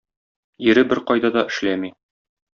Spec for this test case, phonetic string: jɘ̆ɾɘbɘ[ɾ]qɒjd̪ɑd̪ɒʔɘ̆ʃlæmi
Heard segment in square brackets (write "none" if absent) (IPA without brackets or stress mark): ɾ